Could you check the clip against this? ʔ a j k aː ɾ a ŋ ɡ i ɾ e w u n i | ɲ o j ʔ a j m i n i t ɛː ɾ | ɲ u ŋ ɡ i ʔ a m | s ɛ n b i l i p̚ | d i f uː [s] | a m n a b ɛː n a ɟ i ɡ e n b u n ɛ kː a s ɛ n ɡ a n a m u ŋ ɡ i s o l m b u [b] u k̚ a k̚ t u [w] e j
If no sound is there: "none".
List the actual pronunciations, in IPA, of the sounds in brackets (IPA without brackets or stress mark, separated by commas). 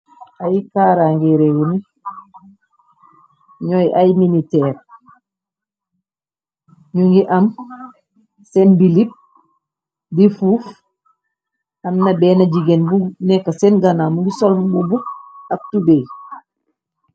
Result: f, b, b